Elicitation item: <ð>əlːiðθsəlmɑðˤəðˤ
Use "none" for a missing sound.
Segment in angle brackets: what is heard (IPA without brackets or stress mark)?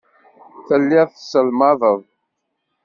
θ